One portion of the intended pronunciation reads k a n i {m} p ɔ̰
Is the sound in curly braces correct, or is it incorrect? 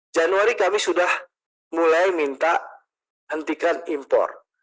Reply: correct